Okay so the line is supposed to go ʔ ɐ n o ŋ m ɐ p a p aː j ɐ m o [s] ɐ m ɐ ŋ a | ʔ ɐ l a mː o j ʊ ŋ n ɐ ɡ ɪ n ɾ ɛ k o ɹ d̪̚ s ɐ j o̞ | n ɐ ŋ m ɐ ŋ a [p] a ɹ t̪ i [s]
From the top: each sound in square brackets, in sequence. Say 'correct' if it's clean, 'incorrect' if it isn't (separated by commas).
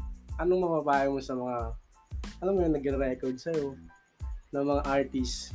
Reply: correct, incorrect, correct